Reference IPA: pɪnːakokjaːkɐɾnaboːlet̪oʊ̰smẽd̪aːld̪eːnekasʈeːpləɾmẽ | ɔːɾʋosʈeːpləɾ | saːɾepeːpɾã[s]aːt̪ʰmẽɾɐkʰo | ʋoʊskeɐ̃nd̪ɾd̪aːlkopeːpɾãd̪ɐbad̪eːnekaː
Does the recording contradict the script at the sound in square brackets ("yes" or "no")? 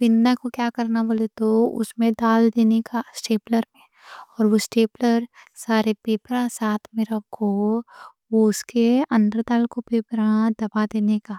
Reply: no